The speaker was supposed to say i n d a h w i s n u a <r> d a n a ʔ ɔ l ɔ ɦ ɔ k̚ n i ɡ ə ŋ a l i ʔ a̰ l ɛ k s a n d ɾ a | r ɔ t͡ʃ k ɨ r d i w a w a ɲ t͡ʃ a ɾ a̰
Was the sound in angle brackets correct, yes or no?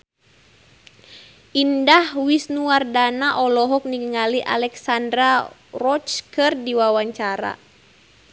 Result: yes